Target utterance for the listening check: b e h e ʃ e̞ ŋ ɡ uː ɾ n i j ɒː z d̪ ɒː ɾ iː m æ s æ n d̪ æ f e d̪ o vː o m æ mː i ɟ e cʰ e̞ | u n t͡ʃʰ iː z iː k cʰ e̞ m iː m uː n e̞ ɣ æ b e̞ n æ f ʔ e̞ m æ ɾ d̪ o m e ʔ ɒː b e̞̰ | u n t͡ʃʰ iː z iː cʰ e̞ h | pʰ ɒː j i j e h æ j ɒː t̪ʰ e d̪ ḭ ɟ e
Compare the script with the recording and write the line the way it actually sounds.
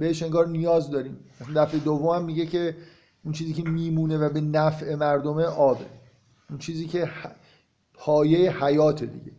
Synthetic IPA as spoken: b e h e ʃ e̞ ŋ ɡ ɒː ɾ n i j ɒː z d̪ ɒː ɾ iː m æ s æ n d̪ æ f e d̪ o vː o m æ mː i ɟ e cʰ e̞ | u n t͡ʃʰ iː z iː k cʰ e̞ m iː m uː n e̞ v æ b e̞ n æ f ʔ e̞ m æ ɾ d̪ o m e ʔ ɒː b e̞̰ | u n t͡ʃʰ iː z iː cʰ e̞ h | pʰ ɒː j e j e h æ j ɒː t̪ʰ e d̪ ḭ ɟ e